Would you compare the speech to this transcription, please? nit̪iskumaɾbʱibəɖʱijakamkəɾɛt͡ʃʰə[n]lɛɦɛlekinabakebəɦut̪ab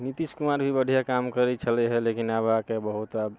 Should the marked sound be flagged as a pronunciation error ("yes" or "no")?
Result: yes